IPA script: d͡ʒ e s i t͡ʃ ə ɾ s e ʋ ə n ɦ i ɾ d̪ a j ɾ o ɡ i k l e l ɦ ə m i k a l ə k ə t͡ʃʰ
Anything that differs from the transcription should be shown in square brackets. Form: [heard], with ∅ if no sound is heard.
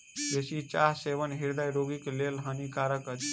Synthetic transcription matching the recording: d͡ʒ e s i t͡ʃ [a] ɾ s e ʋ ə n ɦ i ɾ d̪ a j ɾ o ɡ i k l e l ɦ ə [n] i k a [ɾ] ə k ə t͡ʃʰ